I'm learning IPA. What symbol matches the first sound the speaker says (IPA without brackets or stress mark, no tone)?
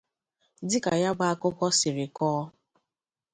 d